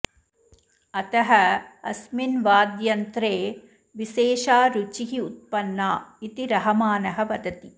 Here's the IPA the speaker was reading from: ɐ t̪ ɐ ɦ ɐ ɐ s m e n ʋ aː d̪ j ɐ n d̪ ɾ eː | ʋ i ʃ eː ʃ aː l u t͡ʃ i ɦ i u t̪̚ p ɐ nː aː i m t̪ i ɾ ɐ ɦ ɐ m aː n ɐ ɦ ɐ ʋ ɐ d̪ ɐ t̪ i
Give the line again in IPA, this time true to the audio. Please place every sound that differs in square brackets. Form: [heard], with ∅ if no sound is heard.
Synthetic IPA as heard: ɐ t̪ ɐ ɦ ɐ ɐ s m [i] n ʋ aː d̪ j ɐ n [t̪] ɾ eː | ʋ i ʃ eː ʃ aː [ɾ] u t͡ʃ i ɦ i u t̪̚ p ɐ nː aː i [∅] t̪ i ɾ ɐ ɦ ɐ m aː n ɐ ɦ ɐ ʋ ɐ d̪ ɐ t̪ i

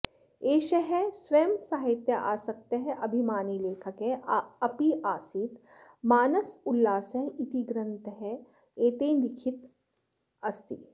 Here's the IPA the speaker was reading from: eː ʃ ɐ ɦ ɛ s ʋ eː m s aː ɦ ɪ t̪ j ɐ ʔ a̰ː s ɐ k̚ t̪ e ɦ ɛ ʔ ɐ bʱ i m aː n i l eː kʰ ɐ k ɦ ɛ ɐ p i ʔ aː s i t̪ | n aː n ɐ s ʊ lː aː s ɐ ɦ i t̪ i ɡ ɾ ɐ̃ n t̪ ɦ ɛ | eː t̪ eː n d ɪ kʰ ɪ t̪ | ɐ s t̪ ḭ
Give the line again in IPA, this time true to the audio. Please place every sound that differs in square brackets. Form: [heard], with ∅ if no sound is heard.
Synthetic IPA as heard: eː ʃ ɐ ɦ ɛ s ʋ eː m s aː ɦ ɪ t̪ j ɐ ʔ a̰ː s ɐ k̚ t̪ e ɦ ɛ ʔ ɐ bʱ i m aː n i l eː kʰ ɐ k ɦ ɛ ɐ p i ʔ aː s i t̪ | [m] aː n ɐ s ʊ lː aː s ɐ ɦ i t̪ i ɡ ɾ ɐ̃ n t̪ ɦ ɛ | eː t̪ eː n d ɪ kʰ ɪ t̪ | ɐ s t̪ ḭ

